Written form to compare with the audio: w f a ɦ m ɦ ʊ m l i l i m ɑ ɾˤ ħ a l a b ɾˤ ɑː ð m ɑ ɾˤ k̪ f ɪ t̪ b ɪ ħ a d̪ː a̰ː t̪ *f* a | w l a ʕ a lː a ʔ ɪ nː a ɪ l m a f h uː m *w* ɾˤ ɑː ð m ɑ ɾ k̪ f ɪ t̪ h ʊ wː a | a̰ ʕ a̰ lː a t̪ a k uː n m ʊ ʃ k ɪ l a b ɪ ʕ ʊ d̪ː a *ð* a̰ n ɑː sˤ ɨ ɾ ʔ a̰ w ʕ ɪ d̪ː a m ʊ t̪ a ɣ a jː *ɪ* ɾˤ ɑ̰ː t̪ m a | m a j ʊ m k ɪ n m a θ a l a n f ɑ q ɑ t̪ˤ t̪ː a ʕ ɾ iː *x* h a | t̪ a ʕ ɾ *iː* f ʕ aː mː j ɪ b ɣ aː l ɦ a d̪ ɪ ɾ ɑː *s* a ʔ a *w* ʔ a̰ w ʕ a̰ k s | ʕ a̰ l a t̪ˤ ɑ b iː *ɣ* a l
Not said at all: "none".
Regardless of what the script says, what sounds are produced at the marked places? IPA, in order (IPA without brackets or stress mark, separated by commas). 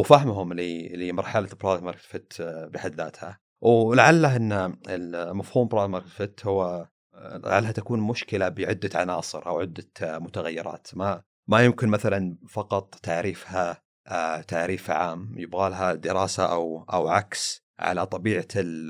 h, b, ʕ, ɪ, f, iː, s, w, ʕ